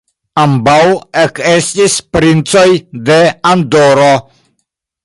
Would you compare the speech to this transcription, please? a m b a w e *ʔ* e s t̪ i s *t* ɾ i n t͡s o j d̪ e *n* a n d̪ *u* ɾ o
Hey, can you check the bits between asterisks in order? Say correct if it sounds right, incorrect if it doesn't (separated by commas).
incorrect, incorrect, incorrect, incorrect